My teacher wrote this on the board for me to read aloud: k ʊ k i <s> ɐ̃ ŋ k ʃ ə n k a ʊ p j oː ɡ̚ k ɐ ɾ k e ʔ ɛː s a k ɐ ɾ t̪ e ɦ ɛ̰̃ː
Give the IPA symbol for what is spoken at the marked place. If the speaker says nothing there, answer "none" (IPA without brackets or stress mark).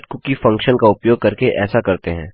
f